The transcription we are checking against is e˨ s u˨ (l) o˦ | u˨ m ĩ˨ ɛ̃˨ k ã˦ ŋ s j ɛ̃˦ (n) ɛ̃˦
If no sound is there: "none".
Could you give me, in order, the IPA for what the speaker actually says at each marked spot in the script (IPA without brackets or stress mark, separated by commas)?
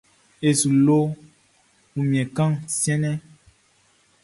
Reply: l, n